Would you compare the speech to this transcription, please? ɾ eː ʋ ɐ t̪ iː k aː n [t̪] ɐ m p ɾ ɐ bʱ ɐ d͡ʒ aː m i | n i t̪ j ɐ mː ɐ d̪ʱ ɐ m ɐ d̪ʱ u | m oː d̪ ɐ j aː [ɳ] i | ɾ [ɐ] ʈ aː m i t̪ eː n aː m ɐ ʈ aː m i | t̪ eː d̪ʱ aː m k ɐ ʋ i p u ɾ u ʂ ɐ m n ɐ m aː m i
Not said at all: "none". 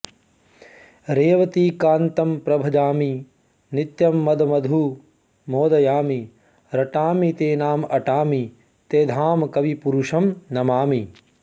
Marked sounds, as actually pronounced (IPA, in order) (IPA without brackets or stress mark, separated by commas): t̪, m, ɐ